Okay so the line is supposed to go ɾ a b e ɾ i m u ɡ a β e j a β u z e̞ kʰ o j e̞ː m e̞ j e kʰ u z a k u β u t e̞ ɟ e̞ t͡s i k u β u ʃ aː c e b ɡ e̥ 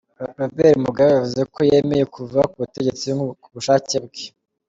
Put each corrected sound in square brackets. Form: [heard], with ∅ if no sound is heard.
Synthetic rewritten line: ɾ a b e ɾ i m u ɡ a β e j a [v] u z e̞ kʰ o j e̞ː m e̞ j e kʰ u [v] a k u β u t e̞ ɟ e̞ t͡s i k u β u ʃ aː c e b ɡ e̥